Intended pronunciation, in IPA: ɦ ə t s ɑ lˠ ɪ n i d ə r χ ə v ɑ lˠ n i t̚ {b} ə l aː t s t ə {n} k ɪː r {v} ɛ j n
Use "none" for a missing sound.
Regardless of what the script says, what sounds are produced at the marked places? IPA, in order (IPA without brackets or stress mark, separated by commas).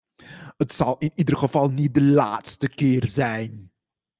d, none, z